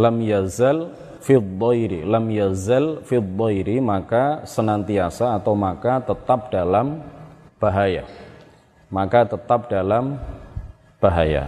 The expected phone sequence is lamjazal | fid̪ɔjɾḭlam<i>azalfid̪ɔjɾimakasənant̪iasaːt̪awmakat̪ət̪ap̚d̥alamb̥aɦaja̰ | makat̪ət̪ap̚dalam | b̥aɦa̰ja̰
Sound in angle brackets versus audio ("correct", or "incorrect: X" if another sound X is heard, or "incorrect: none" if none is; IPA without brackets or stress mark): incorrect: j